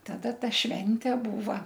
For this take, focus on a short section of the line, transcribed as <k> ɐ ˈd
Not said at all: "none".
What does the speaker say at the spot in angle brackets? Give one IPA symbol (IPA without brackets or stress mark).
t